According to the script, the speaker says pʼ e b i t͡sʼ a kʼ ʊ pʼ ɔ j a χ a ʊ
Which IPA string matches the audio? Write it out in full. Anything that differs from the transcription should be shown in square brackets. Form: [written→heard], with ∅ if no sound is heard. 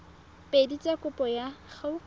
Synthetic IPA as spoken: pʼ e [b→d] i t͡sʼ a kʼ ʊ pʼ ɔ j a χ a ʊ